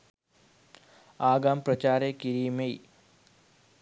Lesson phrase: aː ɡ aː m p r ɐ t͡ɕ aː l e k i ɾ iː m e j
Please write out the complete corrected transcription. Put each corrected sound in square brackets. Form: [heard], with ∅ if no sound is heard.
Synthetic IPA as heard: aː ɡ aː m p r ɐ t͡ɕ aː [ɾ] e k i ɾ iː m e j